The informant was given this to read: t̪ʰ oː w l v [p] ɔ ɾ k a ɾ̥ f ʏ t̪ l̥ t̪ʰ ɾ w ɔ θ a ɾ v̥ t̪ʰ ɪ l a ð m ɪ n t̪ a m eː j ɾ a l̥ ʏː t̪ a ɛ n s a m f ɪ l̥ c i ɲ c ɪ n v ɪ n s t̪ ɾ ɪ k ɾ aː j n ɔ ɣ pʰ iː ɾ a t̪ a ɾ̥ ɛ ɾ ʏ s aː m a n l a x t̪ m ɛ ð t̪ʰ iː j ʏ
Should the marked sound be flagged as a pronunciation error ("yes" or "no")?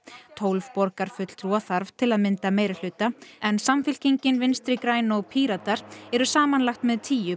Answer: no